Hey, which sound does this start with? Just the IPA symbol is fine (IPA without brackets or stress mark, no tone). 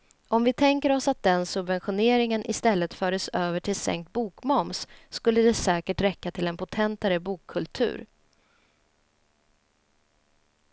ɔ